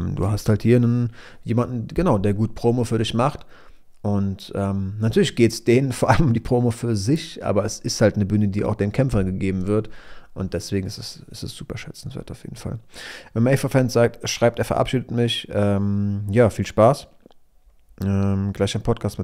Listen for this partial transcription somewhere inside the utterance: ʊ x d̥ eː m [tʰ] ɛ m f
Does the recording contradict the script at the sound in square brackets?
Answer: yes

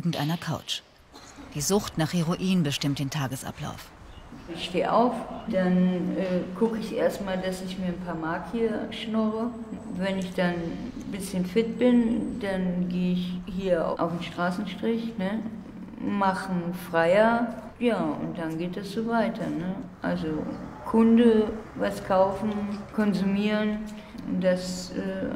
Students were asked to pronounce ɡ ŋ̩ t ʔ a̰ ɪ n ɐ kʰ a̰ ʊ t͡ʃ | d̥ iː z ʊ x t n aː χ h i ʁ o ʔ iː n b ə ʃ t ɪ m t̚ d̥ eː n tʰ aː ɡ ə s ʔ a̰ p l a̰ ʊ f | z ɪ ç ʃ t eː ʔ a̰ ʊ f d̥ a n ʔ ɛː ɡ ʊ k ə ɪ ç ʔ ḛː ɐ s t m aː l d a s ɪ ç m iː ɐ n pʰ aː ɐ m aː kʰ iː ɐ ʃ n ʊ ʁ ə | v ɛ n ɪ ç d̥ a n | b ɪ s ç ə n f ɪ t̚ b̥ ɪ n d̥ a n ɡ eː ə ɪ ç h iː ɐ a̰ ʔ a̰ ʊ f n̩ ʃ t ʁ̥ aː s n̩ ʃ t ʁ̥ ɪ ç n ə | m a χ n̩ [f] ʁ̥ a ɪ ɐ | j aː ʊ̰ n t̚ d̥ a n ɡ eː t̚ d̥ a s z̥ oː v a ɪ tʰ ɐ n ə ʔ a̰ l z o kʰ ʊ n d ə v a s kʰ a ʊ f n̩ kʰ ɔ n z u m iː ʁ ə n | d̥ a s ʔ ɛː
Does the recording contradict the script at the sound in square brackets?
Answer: no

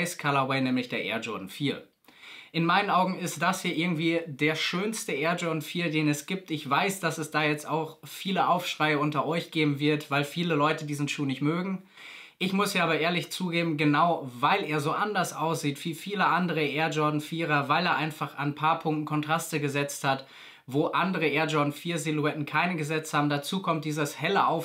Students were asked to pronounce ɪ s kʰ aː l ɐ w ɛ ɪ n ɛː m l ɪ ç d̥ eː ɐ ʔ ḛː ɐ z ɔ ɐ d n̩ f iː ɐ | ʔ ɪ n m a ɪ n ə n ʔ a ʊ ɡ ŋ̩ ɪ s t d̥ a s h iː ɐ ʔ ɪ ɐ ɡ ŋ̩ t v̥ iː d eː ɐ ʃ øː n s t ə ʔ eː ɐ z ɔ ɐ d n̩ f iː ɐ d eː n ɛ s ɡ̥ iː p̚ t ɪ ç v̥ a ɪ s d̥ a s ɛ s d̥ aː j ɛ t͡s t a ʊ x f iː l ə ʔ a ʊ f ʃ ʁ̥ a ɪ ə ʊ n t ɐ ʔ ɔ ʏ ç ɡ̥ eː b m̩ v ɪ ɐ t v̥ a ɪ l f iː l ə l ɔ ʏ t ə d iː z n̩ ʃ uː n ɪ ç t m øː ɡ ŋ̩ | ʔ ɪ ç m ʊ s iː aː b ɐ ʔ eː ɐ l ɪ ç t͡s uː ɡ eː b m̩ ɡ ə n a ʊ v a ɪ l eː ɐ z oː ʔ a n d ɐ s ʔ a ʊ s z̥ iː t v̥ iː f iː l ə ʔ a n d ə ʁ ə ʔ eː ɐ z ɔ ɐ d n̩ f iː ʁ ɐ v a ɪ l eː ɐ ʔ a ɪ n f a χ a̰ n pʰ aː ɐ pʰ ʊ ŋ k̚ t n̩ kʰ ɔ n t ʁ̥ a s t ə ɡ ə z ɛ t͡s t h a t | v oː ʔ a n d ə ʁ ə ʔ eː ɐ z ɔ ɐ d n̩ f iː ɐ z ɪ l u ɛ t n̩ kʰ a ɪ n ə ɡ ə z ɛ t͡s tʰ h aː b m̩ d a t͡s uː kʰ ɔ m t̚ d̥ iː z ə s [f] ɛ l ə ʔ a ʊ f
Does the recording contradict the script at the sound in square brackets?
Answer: yes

